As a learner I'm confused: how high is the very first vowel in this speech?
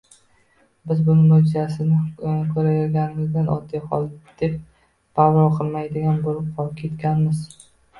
high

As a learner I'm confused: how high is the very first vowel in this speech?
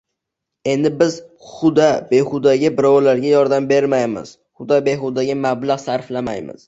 mid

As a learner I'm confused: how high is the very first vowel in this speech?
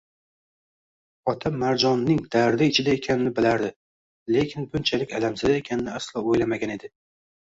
low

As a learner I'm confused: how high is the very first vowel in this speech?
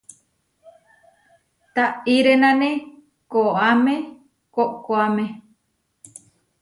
low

